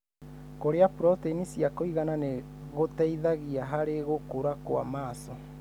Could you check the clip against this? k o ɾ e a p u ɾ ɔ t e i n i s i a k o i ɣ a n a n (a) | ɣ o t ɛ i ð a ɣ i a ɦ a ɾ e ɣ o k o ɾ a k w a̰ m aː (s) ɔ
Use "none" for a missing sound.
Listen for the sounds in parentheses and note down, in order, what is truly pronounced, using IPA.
e, s

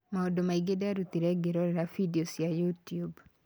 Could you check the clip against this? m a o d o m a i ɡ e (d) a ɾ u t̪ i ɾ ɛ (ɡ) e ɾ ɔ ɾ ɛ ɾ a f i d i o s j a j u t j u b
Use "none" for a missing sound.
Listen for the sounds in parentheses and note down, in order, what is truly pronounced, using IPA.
d, ɡ

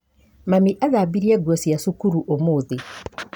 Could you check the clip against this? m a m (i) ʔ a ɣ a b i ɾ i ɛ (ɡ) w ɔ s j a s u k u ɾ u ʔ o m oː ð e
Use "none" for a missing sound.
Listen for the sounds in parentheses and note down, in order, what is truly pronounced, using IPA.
i, ɡ

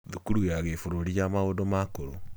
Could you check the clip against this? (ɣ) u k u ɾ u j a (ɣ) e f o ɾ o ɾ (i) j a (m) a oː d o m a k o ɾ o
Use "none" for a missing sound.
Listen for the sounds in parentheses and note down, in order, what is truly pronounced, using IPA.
ð, ɣ, i, m

